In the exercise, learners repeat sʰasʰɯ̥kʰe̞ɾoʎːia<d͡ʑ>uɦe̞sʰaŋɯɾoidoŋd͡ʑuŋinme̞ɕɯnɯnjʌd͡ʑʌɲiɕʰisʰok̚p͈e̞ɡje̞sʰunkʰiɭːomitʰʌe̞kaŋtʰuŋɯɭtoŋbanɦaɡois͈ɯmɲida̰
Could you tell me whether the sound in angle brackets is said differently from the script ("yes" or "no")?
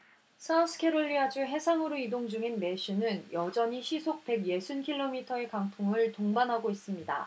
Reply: no